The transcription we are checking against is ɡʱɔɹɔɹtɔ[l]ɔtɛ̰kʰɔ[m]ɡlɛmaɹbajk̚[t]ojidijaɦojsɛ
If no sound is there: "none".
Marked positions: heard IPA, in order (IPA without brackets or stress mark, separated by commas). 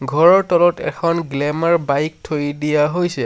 l, n, tʰ